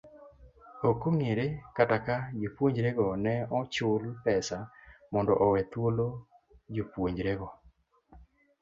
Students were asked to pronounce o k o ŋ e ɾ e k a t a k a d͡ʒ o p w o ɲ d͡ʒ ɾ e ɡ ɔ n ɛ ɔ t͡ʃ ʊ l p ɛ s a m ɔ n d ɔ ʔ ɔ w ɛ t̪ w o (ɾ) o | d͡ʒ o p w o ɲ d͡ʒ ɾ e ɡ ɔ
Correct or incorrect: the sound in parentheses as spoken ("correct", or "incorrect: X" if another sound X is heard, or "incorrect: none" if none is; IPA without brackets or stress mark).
incorrect: l